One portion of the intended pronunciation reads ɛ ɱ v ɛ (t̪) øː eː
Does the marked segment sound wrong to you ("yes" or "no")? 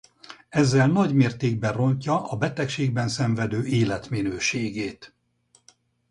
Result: yes